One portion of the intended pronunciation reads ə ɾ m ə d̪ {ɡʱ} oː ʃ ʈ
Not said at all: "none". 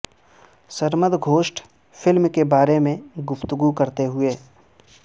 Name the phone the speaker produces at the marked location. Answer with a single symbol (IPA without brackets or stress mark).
ɡʱ